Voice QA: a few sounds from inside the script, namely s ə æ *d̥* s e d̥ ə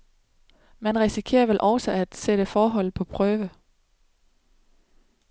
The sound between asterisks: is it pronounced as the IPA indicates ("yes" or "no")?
yes